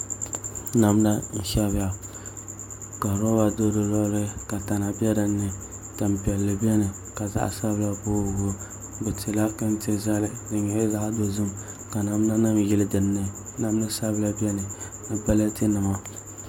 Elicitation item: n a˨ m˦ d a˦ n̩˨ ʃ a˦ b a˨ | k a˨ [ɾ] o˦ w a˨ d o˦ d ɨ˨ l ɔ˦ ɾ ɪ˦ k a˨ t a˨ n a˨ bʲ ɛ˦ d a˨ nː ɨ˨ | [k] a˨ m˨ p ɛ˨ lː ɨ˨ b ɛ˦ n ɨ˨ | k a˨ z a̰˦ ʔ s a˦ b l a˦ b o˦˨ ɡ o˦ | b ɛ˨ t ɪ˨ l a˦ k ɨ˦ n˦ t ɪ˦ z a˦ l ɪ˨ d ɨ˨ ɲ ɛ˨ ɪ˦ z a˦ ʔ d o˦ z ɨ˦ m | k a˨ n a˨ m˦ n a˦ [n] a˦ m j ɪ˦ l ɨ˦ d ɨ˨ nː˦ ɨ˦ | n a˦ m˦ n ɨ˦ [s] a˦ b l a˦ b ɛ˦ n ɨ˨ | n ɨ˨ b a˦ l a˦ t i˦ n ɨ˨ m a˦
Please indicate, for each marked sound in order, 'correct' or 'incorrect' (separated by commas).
correct, incorrect, correct, correct